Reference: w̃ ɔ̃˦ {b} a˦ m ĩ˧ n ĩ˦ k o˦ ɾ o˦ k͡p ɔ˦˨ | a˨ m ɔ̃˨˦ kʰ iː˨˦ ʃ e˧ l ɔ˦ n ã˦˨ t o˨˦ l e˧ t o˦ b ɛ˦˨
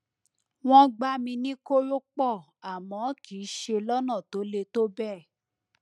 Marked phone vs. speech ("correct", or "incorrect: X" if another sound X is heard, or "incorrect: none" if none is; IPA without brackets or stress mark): incorrect: ɡ͡b